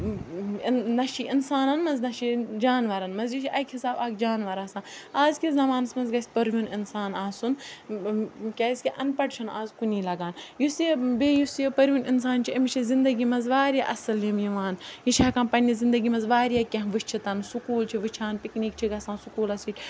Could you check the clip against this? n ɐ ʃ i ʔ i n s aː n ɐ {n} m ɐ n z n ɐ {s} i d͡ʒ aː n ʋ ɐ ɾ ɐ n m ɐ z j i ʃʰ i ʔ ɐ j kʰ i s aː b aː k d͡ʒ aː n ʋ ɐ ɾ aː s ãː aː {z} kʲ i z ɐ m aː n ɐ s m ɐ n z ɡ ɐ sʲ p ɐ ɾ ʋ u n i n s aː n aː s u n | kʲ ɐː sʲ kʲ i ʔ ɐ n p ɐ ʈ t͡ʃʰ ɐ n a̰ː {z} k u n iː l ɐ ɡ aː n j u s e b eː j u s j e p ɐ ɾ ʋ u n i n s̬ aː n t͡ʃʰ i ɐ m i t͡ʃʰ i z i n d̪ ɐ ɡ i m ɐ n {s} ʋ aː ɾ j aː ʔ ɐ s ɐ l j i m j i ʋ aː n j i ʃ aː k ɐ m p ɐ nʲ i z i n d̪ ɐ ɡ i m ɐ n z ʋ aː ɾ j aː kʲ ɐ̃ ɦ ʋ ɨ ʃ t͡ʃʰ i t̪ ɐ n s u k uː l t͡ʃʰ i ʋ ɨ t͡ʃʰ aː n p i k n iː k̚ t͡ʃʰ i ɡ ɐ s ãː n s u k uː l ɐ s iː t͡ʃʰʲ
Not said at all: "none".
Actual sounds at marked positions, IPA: n, ʃ, z, z, z

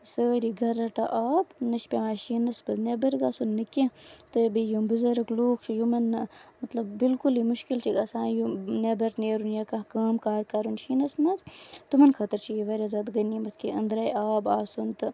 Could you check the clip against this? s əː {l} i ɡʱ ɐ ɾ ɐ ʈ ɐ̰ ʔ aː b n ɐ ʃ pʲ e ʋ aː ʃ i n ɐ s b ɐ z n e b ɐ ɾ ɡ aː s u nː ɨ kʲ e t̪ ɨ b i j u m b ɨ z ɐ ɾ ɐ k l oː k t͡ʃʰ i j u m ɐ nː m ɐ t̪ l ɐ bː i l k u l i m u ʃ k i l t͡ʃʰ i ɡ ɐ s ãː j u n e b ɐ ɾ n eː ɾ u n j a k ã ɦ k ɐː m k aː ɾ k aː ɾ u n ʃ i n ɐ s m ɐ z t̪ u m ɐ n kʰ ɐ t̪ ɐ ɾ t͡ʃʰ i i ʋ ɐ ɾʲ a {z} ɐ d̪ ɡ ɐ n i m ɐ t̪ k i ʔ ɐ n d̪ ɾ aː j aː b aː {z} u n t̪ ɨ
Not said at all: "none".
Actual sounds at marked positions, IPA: ɾ, z, s

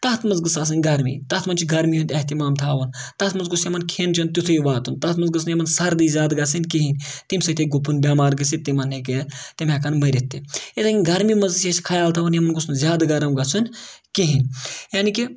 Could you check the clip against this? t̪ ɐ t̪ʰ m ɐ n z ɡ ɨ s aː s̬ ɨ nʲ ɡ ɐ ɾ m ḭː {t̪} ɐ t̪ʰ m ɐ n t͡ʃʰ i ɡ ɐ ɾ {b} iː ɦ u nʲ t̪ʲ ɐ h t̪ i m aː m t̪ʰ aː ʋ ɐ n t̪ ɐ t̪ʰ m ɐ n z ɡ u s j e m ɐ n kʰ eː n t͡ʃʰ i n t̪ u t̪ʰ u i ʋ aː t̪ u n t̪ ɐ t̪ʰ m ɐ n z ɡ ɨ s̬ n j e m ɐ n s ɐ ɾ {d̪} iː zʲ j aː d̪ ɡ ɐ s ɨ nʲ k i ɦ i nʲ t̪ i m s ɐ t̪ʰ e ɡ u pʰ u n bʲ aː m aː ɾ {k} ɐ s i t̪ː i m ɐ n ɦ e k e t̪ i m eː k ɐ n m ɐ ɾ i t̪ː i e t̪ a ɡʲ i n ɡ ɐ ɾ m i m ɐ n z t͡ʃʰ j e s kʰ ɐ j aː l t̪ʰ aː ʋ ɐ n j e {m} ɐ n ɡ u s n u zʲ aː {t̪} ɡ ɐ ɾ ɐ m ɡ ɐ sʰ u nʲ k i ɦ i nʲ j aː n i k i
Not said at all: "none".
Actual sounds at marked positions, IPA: t̪, m, d̪, ɡ, m, d̪

